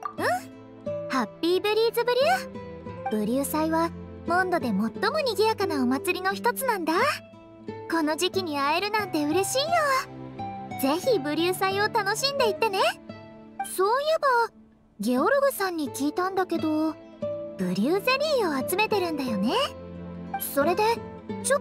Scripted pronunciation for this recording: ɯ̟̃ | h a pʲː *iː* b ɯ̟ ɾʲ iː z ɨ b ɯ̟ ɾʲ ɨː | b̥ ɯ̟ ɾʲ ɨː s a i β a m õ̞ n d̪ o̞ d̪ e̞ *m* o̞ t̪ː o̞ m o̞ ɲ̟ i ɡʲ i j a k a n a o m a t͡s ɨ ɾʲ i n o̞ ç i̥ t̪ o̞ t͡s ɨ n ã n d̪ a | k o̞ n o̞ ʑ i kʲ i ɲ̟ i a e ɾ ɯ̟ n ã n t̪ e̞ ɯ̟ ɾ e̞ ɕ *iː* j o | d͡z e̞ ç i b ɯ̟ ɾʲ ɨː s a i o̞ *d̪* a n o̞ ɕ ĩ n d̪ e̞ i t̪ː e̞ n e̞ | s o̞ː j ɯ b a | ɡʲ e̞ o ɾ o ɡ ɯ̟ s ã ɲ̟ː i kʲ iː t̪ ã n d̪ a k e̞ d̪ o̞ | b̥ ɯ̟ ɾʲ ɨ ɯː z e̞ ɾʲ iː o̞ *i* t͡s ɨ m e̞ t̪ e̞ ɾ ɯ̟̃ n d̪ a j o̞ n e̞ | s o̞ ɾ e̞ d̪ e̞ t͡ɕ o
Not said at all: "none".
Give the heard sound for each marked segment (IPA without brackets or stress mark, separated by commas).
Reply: iː, m, iː, t̪, a